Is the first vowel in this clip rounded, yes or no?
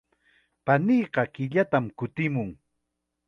no